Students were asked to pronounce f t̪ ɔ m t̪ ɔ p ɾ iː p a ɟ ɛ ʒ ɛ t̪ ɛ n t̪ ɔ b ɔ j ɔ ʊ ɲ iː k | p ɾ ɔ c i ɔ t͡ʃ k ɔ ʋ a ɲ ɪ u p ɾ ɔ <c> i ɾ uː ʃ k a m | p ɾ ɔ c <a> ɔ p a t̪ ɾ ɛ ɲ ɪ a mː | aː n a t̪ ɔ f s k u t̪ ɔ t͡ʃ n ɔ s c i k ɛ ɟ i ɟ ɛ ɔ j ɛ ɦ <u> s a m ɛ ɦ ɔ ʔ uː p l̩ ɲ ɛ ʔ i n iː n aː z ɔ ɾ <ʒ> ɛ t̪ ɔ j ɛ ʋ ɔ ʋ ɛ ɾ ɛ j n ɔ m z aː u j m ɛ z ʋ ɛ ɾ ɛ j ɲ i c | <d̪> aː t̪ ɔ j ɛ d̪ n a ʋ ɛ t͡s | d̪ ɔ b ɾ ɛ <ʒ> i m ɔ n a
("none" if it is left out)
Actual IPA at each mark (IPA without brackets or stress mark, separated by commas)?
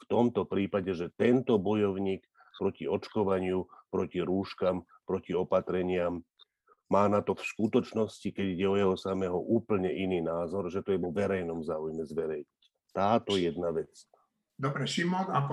c, i, ɔ, ʒ, t̪, ʃ